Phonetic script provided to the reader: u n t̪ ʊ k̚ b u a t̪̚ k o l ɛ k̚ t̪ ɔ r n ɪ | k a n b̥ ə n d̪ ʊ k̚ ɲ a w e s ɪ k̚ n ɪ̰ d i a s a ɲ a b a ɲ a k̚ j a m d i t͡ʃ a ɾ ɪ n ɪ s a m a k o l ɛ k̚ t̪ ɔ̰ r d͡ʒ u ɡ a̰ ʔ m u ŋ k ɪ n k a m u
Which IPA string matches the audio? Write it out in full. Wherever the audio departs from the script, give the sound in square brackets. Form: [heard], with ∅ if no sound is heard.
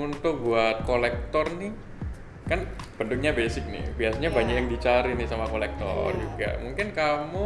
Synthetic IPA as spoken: u n t̪ ʊ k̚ b u a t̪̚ k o l ɛ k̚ t̪ ɔ r n ɪ | k a n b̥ ə n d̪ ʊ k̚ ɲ a [b] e s ɪ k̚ n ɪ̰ [b] i a s a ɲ a b a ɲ a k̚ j a [ŋ] d i t͡ʃ a ɾ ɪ n ɪ s a m a k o l ɛ k̚ t̪ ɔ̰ r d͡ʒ u ɡ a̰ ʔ m u ŋ k ɪ n k a m u

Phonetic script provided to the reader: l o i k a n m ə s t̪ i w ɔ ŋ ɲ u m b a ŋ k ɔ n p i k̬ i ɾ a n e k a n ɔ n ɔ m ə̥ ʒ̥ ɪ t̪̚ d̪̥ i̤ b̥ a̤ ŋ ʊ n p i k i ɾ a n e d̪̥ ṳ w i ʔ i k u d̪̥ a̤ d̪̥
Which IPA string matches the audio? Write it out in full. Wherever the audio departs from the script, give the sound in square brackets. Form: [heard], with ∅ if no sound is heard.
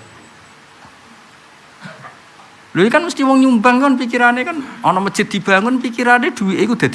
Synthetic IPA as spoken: l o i k a n m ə s t̪ i w ɔ ŋ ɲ u m b a ŋ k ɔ n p i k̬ i ɾ a n e k a n ɔ n ɔ m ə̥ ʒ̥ ɪ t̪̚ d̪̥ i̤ b̥ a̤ ŋ ʊ n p i k i ɾ a n e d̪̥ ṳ w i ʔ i k u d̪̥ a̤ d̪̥

